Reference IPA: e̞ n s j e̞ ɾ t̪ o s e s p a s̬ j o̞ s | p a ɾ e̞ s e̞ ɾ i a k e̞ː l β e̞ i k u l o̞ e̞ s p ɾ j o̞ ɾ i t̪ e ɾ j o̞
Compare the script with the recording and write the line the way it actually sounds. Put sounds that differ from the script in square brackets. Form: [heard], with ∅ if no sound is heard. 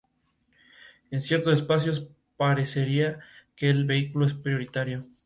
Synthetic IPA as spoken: e̞ n s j e̞ ɾ t̪ o s e s p a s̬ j o̞ s | p a ɾ e̞ s e̞ ɾ i a k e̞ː l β e̞ i k u l o̞ e̞ s p ɾ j o̞ ɾ i t̪ [a] ɾ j o̞